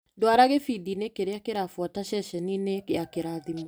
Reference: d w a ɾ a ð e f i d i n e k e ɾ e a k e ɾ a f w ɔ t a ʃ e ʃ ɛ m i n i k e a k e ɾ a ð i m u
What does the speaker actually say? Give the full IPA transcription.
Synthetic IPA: d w a ɾ a ɣ e f i d i n e k e ɾ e a k e ɾ a f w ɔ t a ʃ ɛ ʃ ɛ n i n e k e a k e ɾ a ð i m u